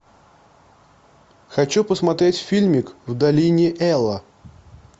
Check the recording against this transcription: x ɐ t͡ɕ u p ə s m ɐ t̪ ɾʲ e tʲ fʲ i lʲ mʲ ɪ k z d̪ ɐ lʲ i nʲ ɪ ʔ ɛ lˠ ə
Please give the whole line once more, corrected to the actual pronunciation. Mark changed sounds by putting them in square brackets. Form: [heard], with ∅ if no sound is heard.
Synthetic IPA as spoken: x ɐ t͡ɕ u p ə s m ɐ t̪ ɾʲ e tʲ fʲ i lʲ mʲ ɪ k [v] d̪ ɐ lʲ i nʲ ɪ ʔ ɛ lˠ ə